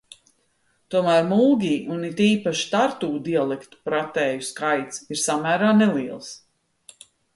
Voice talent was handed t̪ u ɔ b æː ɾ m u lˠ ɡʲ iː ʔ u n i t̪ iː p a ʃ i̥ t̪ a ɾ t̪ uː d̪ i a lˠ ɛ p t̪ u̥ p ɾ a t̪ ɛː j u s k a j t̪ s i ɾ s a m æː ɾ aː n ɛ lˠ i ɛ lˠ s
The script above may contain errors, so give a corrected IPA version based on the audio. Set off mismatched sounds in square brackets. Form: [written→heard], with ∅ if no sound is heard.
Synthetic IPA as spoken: t̪ u ɔ [b→m] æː ɾ m u lˠ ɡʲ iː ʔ u n i t̪ iː p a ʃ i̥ t̪ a ɾ t̪ uː d̪ i a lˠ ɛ [p→k] t̪ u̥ p ɾ a t̪ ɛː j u s k a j t̪ s i ɾ s a m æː ɾ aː n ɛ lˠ i ɛ lˠ s